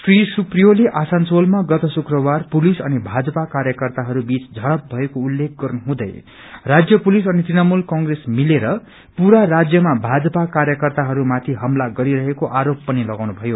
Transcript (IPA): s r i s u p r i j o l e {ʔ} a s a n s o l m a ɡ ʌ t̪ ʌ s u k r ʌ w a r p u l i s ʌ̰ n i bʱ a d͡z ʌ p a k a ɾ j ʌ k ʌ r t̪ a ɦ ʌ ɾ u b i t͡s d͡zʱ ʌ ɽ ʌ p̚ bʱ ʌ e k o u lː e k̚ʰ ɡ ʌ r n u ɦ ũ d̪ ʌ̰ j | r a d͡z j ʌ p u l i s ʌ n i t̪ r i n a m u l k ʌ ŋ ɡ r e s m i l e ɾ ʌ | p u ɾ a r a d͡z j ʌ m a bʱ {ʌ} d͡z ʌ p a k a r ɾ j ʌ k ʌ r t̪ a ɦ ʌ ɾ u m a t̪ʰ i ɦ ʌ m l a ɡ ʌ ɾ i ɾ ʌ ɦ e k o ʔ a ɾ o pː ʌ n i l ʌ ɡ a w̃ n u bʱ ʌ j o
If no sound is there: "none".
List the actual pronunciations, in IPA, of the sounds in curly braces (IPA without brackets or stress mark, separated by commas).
ʔ, a